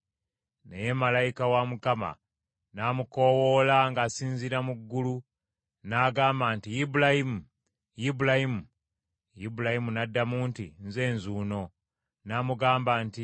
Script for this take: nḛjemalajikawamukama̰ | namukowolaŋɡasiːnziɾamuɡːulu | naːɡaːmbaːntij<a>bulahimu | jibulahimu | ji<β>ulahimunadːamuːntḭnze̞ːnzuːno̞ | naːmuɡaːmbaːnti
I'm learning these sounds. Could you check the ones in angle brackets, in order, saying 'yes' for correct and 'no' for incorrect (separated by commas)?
no, no